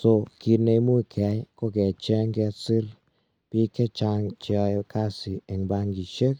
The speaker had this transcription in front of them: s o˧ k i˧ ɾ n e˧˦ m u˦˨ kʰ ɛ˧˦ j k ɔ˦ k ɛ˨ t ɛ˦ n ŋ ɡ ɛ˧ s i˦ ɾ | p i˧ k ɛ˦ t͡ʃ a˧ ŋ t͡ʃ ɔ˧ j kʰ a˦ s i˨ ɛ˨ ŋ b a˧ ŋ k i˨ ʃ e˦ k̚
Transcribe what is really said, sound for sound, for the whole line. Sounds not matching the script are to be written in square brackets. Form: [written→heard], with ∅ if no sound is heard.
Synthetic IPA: s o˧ k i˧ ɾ n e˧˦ m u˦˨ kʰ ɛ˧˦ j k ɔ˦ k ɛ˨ [t→t͡ʃ] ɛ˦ [n→∅] ŋ ɡ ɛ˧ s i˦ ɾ | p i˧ k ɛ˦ t͡ʃ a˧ ŋ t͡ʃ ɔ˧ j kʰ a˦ s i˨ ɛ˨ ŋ b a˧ ŋ [k→ɡ] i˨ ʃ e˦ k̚

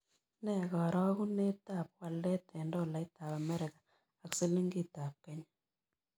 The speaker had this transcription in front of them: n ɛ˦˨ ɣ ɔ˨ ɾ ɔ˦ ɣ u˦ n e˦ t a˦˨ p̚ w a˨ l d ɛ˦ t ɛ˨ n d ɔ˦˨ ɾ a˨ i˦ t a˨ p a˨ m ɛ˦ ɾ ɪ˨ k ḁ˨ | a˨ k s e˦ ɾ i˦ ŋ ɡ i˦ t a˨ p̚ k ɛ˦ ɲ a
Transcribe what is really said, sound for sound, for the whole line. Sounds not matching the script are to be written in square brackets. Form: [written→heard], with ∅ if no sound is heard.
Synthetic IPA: n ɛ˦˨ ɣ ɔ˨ ɾ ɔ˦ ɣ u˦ n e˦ t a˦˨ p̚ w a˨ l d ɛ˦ t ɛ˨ n d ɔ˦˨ [ɾ→l] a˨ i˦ t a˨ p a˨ m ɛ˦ ɾ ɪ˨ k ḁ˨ | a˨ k s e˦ [ɾ→l] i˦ ŋ ɡ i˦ t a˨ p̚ k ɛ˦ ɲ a

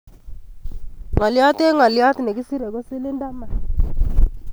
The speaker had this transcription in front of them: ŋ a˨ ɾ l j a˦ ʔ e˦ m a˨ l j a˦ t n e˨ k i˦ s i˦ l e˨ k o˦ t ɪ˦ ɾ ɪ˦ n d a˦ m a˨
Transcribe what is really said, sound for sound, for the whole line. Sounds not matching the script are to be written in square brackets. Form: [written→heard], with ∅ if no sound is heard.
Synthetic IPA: ŋ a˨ [ɾ→∅] l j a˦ [ʔ→t] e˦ [m→ŋ] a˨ l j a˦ t n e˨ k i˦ s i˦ [l→ɾ] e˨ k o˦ [t→s] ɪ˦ [ɾ→l] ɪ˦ n d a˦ m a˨

